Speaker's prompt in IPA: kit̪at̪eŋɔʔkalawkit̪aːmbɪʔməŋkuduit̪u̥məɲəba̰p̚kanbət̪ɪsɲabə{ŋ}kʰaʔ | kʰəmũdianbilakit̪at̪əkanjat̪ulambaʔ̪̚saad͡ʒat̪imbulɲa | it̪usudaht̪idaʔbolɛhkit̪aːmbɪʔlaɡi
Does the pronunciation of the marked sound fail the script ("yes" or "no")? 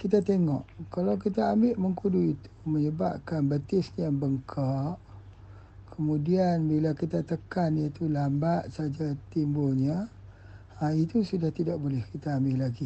no